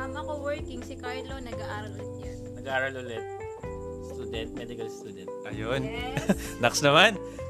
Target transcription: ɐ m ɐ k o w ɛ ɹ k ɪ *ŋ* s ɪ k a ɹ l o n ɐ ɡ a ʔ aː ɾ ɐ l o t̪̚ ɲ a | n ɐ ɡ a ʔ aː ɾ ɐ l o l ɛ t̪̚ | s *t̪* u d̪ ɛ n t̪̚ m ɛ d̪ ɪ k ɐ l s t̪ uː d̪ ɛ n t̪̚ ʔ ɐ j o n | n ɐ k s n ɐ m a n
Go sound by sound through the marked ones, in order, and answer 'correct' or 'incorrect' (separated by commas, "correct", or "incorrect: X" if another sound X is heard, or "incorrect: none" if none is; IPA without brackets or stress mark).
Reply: correct, correct